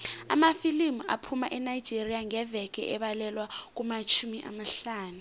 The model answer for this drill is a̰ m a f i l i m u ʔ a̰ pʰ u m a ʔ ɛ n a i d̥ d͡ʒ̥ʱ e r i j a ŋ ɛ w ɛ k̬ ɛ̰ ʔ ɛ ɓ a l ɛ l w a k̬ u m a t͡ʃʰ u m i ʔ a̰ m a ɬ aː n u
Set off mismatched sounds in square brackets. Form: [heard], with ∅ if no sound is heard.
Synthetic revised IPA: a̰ m a f i l i m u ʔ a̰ pʰ u m a ʔ ɛ n a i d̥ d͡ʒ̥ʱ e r i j a ŋ ɛ [v] ɛ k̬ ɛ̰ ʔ ɛ ɓ a l ɛ l w a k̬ u m a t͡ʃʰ u m i ʔ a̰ m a ɬ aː n u